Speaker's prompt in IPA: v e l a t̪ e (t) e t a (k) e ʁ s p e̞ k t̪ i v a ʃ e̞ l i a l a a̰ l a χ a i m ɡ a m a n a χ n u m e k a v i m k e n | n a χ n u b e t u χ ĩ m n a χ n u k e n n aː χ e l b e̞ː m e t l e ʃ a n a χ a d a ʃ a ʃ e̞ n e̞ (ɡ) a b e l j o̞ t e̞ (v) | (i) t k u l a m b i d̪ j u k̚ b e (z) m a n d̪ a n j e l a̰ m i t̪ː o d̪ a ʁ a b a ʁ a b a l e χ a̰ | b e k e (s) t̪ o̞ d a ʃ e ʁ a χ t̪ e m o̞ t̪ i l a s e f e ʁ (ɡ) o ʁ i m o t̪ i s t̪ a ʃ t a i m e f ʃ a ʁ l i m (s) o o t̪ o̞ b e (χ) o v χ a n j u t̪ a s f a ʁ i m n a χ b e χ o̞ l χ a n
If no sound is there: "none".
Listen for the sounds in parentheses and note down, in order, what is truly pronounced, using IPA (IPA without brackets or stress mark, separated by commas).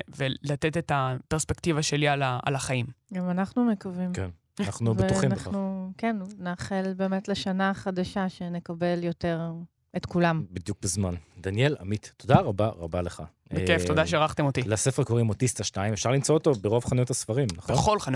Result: t, p, k, ʁ, e, z, f, k, t͡s, ʁ